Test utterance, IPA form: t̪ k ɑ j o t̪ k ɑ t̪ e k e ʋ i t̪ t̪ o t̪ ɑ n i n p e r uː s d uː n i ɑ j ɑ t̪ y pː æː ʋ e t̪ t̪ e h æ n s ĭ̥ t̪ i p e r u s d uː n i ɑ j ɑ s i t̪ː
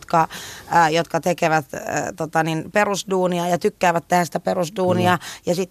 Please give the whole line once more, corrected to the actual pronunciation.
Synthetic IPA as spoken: t̪ k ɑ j o t̪ k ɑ t̪ e k e ʋ æ t̪ t̪ o t̪ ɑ n i n p e r u s d uː n i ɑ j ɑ t̪ y kː æː ʋ æ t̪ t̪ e h æ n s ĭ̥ t̪ æ p e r u s d uː n i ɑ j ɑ s i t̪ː